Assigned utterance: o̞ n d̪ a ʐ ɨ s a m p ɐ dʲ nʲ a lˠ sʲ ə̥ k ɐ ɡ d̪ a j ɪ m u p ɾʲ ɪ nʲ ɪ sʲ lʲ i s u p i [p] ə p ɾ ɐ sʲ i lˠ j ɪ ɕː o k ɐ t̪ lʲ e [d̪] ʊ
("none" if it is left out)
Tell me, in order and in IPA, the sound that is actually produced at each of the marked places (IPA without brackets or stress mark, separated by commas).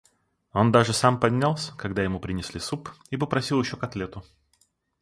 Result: p, t̪